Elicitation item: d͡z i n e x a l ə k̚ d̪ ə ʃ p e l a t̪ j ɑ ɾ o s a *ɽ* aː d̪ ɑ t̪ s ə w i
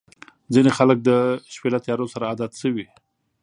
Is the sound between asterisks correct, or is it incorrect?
incorrect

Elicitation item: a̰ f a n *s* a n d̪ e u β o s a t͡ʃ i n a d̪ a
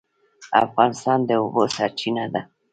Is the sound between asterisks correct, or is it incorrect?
correct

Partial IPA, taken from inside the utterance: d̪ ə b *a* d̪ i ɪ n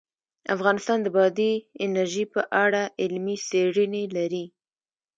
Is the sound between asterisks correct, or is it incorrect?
incorrect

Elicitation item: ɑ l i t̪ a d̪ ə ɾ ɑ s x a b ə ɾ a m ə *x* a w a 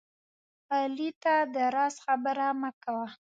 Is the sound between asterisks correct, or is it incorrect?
incorrect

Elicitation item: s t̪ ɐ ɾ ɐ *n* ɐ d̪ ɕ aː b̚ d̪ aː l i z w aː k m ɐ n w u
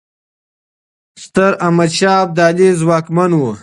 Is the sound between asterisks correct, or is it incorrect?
incorrect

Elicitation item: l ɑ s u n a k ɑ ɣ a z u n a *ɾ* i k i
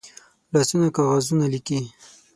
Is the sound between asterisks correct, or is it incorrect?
incorrect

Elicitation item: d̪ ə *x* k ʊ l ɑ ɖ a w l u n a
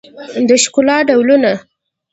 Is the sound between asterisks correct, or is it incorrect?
incorrect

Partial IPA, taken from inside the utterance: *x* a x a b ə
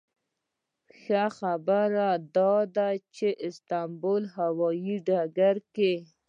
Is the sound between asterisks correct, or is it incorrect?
correct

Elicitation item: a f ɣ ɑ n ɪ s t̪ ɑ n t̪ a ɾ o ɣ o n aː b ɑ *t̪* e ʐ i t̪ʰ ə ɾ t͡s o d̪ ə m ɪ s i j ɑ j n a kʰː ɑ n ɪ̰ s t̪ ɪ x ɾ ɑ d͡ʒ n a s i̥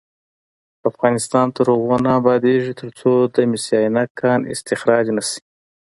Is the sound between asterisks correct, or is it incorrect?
incorrect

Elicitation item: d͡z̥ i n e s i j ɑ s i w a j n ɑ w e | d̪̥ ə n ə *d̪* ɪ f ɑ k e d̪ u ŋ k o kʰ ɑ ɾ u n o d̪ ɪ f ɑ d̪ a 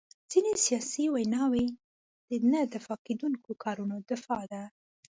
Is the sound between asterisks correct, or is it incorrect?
correct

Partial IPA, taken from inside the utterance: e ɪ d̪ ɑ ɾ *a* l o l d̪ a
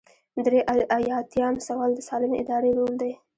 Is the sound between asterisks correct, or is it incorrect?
incorrect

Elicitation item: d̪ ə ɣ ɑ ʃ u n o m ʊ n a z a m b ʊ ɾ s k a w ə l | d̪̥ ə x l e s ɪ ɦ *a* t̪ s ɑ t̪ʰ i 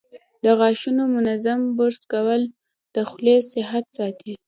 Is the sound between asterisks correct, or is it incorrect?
correct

